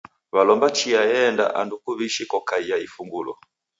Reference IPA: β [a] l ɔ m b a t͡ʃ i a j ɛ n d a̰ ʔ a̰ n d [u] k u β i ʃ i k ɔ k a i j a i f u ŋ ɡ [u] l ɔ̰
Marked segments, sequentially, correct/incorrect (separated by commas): correct, correct, correct